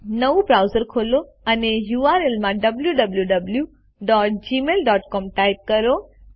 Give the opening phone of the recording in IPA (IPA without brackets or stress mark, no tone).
n